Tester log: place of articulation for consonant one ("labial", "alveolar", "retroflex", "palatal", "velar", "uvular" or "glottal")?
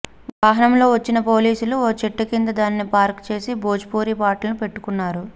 labial